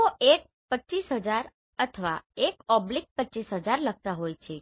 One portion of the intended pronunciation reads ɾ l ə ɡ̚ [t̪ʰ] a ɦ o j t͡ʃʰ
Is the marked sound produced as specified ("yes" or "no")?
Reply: no